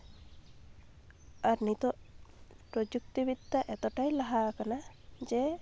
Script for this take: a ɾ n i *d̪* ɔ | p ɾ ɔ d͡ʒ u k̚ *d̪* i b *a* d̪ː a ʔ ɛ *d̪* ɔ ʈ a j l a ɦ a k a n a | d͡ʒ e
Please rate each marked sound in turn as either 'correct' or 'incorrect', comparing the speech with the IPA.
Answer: incorrect, incorrect, incorrect, incorrect

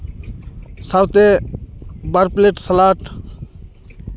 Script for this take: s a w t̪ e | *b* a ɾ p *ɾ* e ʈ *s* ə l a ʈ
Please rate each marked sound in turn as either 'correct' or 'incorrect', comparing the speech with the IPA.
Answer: correct, incorrect, correct

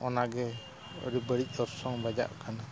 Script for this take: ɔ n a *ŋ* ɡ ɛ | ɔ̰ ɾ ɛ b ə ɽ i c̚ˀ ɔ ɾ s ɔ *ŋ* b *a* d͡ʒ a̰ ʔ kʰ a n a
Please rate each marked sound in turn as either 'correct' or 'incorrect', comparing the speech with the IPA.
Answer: incorrect, correct, correct

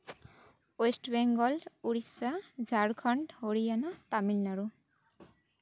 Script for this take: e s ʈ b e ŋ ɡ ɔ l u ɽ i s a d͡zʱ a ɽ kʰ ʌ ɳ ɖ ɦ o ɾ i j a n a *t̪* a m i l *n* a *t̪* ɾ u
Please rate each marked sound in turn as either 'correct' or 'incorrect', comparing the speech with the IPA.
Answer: correct, correct, incorrect

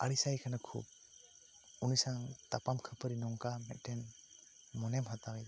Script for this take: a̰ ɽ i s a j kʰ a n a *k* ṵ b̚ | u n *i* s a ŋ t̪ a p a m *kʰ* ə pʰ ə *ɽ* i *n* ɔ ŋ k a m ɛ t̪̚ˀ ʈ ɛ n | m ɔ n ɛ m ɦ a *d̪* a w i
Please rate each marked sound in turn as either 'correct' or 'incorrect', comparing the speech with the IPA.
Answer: incorrect, correct, correct, incorrect, correct, incorrect

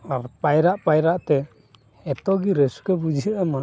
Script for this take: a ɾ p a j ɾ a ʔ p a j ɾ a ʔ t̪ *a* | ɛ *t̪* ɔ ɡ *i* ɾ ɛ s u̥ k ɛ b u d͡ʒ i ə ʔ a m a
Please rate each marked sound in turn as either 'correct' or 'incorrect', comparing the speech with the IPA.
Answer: incorrect, correct, correct

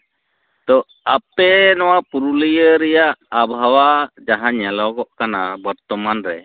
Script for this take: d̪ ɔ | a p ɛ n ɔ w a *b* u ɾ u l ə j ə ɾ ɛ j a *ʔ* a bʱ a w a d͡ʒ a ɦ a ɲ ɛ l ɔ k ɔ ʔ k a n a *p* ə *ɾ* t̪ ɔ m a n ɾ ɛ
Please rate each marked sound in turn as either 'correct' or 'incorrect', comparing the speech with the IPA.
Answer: incorrect, correct, incorrect, correct

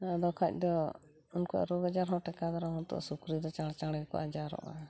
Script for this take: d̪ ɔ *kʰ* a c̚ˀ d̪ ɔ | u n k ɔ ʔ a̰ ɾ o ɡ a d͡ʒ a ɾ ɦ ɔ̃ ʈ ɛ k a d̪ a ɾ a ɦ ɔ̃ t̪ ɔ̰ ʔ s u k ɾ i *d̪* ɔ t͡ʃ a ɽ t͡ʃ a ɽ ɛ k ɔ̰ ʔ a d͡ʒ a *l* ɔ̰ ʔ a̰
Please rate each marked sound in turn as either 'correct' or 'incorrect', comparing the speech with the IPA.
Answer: correct, correct, incorrect

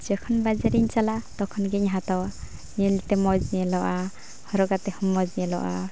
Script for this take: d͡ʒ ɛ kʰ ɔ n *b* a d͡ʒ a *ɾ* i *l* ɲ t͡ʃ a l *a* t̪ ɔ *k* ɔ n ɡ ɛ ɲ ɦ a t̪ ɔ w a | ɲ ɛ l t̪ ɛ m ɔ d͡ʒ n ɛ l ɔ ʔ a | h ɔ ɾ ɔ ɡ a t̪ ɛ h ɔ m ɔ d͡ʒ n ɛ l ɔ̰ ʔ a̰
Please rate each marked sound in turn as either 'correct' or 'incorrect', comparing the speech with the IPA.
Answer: correct, correct, incorrect, correct, incorrect

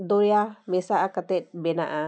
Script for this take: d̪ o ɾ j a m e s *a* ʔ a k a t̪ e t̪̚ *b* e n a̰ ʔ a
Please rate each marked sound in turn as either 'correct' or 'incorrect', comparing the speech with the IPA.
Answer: correct, correct

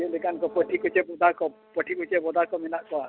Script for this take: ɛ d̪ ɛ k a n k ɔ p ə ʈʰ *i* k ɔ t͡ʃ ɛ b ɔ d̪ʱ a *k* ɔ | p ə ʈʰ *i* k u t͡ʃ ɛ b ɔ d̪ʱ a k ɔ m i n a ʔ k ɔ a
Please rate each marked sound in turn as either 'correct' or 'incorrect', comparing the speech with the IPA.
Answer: correct, correct, correct

